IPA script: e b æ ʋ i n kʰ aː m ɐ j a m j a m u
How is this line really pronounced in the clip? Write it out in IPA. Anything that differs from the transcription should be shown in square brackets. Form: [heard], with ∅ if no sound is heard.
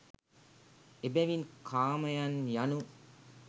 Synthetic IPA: e b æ ʋ i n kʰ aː m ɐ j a [n] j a [n] u